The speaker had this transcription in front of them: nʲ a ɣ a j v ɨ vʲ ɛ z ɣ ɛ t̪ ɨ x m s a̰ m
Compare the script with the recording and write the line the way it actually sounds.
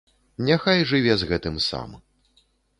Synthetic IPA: nʲ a x a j ʐ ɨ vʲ ɛ z ɣ ɛ t̪ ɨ m s a̰ m